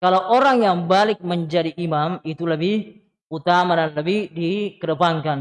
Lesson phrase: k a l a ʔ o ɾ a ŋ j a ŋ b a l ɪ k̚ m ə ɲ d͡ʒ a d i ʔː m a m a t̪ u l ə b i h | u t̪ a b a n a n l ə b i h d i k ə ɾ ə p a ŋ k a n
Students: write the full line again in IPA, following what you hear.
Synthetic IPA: k a l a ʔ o ɾ a ŋ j a ŋ b a l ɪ k̚ m ə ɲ d͡ʒ a d i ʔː m a m i t̪ u l ə b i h | u t̪ a m a d a n l ə b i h d i k ə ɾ ə p a ŋ k a n